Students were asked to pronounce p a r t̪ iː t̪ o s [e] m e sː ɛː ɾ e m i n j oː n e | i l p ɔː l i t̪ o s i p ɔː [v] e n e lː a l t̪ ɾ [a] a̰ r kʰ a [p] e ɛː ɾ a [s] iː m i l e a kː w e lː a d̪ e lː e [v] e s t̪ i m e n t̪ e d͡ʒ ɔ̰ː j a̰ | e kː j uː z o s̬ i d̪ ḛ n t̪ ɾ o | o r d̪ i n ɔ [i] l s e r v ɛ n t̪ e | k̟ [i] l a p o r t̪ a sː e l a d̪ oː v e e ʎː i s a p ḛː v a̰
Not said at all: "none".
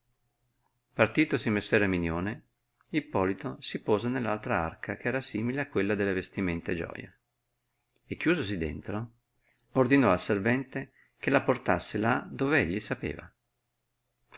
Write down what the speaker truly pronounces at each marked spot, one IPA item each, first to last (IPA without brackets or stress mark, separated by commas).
i, z, a, k, s, v, a, e